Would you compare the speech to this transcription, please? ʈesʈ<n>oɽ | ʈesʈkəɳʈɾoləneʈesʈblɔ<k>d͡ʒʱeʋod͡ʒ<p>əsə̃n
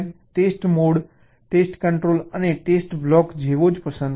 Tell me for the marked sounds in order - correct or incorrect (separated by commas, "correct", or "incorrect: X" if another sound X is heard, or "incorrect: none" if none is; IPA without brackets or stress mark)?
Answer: incorrect: m, correct, correct